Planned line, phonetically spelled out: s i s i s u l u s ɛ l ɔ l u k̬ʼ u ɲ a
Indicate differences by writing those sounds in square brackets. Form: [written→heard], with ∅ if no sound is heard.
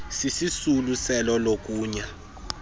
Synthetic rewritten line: s i s i s u l u s ɛ l ɔ l [u→o] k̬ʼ [u→uː] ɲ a